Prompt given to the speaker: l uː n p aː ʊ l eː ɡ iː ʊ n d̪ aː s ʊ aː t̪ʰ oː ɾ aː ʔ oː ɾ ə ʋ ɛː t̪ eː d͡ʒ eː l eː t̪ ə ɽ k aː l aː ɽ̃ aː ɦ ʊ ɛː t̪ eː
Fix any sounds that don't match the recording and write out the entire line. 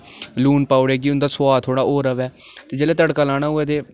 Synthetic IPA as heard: l uː n p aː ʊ ɽ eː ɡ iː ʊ n d̪ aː s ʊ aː t̪ʰ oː ɽ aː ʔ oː ɾ ə ʋ ɛː t̪ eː d͡ʒ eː l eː t̪ ə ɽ k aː l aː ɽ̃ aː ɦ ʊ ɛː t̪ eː